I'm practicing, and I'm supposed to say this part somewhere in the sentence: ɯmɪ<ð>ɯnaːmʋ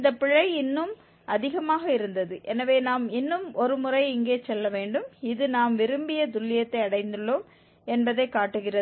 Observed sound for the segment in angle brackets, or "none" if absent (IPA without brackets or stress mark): ð